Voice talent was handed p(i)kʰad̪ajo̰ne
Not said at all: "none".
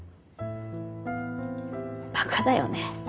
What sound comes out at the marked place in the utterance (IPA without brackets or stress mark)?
a